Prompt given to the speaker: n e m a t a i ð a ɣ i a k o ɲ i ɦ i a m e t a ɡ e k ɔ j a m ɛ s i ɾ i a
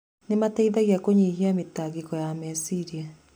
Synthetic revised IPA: n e m a t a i ð a ɣ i a k o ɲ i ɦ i a m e t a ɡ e k ɔ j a m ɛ s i ɾ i a